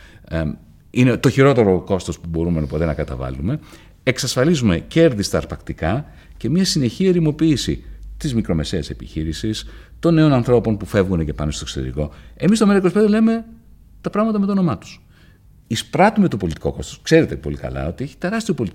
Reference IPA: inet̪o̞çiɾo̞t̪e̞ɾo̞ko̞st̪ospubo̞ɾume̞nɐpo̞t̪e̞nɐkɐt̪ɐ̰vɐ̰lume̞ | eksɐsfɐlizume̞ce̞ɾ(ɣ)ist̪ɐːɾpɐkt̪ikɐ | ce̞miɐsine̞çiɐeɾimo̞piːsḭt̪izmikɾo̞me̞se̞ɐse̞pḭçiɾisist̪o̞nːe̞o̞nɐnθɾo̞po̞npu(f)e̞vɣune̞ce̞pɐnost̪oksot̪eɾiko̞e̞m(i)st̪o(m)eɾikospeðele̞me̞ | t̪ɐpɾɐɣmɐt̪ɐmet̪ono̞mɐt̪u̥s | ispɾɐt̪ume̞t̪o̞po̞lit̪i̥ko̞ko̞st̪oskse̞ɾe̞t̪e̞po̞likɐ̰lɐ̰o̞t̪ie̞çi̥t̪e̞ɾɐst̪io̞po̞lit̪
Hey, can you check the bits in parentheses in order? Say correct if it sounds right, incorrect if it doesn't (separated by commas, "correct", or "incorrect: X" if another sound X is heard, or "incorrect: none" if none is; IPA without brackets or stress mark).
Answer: incorrect: ð, correct, correct, correct